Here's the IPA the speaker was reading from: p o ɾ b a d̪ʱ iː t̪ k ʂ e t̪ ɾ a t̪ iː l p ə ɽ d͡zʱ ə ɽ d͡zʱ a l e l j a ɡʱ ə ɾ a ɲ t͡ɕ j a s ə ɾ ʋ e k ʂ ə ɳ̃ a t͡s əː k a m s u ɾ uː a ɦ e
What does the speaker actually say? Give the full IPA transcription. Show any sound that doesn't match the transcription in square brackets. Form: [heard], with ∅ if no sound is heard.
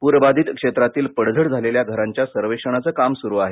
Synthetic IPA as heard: p [u] ɾ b a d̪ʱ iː t̪ k ʂ e t̪ ɾ a t̪ iː l p ə ɽ d͡zʱ ə ɽ d͡zʱ a l e l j a ɡʱ ə ɾ a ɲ t͡ɕ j a s ə ɾ ʋ e k ʂ ə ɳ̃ a t͡s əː k a m s u ɾ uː a ɦ e